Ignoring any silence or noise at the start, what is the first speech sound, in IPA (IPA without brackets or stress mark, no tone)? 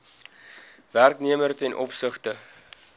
v